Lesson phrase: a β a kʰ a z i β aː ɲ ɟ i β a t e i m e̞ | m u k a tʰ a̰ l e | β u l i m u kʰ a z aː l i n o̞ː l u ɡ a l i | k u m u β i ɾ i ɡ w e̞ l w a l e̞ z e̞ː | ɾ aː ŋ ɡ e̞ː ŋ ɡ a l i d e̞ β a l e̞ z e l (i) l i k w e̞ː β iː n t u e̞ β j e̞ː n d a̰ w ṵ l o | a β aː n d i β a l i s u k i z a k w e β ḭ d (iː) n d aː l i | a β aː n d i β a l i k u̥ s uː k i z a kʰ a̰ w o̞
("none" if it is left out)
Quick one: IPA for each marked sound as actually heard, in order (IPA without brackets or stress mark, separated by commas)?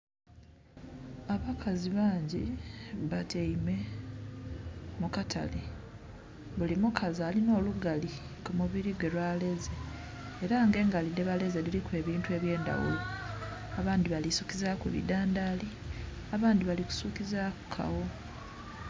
i, aː